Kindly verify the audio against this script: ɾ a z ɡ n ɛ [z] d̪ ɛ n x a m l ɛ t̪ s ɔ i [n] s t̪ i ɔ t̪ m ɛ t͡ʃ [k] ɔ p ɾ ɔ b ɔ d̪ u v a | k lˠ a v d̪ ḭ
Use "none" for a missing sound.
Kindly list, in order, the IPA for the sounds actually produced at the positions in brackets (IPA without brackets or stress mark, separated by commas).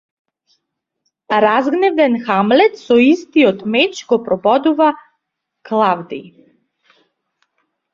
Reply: v, none, ɡ